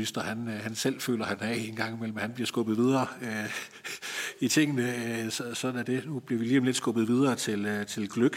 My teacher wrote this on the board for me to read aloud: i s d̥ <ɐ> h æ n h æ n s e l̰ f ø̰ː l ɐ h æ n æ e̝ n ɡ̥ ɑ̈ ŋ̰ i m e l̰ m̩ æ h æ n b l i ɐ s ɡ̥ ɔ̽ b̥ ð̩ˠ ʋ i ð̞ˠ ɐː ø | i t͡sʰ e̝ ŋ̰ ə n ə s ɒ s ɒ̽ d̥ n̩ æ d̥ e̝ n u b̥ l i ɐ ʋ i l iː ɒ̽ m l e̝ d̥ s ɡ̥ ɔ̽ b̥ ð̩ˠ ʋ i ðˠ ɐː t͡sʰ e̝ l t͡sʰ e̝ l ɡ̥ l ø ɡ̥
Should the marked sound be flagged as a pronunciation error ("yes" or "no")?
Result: no